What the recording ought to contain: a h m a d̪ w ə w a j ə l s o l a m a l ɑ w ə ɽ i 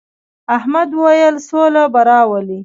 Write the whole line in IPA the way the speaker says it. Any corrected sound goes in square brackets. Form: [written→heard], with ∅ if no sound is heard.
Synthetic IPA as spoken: a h m a d̪ w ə w a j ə l s o l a [m→b] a [l→ɾ] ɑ w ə [ɽ→l] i